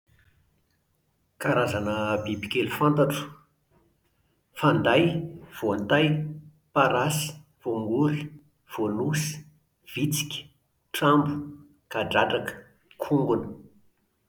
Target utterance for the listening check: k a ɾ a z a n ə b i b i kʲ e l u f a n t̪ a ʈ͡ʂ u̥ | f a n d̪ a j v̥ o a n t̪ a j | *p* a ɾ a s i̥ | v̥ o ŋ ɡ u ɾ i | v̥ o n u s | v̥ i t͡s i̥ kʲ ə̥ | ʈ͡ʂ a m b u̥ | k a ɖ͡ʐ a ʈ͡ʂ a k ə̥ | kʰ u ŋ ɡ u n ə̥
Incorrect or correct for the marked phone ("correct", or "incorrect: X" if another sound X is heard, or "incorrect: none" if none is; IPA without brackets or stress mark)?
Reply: correct